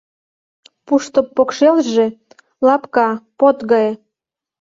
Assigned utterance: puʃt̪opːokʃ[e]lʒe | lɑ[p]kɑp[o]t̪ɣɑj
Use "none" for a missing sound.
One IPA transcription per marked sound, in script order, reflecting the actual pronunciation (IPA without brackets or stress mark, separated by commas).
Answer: e, p, o